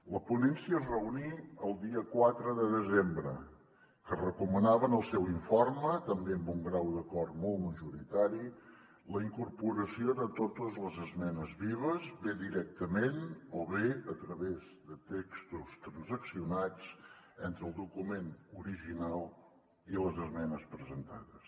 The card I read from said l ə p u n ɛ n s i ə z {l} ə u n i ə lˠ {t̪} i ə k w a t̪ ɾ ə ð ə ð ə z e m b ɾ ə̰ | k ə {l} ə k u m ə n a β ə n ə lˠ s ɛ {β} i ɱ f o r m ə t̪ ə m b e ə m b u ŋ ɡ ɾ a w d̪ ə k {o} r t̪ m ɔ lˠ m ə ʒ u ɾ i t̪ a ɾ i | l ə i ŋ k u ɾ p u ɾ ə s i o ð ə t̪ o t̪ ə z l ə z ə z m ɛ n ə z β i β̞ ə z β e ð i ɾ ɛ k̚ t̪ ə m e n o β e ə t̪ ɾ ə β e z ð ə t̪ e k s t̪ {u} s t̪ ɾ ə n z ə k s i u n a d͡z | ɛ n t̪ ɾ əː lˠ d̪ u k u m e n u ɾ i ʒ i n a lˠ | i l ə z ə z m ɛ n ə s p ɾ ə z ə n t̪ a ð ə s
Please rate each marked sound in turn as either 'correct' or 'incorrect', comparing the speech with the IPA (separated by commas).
incorrect, incorrect, incorrect, incorrect, incorrect, correct